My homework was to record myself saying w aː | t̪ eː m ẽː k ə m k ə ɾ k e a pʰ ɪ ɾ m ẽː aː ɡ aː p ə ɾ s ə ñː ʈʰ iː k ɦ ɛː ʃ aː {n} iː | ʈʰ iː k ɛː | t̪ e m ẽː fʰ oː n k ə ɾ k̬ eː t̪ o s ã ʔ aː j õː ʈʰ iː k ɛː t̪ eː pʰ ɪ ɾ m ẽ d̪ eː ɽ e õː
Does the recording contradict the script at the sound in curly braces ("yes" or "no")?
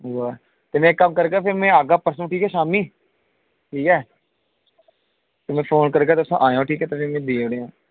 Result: yes